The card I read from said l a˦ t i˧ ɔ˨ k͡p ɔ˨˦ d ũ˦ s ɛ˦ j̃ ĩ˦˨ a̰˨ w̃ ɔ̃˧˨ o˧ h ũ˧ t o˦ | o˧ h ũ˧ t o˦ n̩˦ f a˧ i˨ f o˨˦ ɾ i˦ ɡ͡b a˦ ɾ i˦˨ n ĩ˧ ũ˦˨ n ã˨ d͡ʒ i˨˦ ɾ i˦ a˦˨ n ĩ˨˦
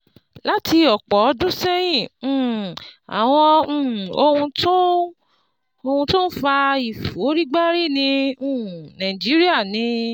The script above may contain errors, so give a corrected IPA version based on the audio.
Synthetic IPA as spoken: l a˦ t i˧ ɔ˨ k͡p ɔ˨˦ d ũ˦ s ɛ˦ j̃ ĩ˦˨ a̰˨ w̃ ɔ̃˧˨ o˧ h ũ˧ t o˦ | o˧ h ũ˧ t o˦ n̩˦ f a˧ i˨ f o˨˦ ɾ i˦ ɡ͡b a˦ ɾ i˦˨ n ĩ˧ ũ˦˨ n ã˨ d͡ʒ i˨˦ ɾ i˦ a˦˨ n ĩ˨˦